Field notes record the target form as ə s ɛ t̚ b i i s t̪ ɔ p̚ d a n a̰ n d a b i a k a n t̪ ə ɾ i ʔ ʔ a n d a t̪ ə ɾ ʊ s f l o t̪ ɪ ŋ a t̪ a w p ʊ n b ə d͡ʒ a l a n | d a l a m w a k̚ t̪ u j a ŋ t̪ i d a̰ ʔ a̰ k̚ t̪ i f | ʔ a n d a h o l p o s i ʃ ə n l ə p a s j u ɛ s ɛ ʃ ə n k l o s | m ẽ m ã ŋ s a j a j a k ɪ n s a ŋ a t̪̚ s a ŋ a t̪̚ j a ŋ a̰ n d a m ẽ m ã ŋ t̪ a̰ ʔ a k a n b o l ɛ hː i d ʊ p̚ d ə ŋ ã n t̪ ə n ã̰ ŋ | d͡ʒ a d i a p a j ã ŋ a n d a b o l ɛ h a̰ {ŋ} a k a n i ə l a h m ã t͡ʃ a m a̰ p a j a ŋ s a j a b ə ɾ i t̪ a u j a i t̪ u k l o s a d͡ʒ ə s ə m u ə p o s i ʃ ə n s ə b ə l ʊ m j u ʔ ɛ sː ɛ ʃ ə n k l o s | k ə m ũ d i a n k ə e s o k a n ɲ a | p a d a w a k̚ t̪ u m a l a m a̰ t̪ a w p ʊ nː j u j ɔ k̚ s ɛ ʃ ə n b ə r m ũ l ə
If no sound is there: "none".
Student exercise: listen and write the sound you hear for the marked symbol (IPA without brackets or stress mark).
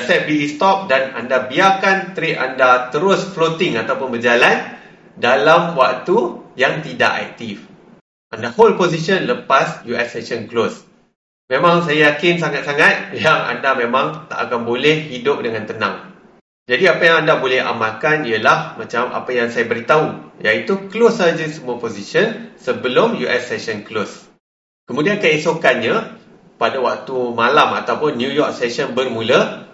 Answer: m